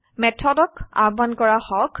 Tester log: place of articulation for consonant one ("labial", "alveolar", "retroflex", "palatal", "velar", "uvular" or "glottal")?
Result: labial